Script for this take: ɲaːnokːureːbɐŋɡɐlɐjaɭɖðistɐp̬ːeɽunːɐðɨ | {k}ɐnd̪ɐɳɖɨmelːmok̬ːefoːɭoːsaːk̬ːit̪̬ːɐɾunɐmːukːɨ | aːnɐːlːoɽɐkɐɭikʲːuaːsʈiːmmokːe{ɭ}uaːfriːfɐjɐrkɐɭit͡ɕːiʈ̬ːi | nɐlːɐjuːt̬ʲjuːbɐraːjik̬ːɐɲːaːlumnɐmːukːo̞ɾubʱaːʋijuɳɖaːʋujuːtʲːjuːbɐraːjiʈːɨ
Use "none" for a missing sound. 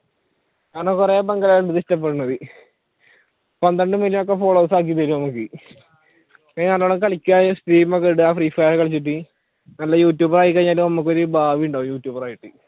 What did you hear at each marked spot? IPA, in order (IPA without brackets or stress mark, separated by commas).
p, ɽ